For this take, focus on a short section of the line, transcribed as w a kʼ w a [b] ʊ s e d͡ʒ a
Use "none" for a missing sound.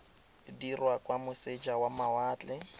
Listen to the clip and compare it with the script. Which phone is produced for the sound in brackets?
m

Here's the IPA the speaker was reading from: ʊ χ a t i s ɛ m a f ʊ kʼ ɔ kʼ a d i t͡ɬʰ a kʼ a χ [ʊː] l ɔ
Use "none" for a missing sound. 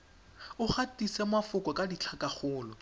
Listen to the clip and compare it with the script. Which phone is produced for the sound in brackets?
ʊː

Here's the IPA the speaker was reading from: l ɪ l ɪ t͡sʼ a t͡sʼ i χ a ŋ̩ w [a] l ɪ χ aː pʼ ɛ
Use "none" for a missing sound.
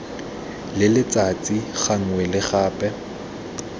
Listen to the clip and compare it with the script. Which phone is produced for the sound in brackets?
ɛ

